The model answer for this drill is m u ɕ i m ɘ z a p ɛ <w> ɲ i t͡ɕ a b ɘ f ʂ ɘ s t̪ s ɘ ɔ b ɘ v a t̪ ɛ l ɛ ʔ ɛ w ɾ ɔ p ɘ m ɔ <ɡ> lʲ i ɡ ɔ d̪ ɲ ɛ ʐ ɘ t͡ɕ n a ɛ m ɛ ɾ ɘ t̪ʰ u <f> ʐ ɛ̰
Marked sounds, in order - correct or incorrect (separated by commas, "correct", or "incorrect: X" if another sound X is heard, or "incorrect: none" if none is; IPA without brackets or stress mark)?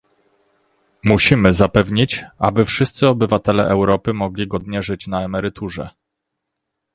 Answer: incorrect: v, correct, incorrect: none